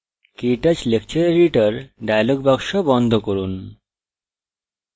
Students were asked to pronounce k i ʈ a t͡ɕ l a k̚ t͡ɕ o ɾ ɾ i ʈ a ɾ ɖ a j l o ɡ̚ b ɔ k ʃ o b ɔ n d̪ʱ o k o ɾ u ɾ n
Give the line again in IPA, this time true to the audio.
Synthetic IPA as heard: k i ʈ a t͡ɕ l e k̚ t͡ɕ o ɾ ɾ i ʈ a ɾ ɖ a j l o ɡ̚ b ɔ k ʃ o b ɔ n d̪ʱ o k o ɾ u n